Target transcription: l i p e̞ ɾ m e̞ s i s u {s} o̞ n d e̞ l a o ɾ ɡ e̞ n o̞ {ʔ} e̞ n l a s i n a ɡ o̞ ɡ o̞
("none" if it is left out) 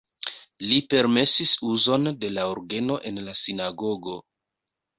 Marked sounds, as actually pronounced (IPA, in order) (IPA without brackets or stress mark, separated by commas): z, ʔ